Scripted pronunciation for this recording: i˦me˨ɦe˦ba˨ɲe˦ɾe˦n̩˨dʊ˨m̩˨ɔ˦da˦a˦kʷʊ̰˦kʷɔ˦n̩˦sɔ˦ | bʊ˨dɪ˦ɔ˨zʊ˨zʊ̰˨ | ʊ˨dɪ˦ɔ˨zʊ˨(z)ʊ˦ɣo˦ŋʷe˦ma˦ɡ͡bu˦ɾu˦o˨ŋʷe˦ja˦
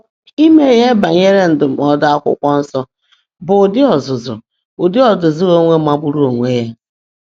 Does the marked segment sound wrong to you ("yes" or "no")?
no